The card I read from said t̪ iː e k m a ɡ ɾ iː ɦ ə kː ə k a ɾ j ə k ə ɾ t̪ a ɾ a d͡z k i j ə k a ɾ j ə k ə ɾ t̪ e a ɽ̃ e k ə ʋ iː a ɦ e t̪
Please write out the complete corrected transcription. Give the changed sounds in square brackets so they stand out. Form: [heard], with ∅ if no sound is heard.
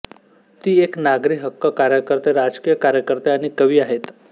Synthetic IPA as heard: t̪ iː e k [n] a ɡ ɾ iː ɦ ə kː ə k a ɾ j ə k ə ɾ t̪ [e] ɾ a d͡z k i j ə k a ɾ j ə k ə ɾ t̪ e a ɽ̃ [i] k ə ʋ iː a ɦ e t̪